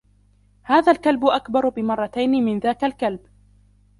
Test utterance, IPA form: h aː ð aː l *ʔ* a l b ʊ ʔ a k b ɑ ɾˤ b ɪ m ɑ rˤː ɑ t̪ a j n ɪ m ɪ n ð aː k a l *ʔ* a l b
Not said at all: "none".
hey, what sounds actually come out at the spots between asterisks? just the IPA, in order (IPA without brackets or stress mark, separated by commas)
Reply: k, k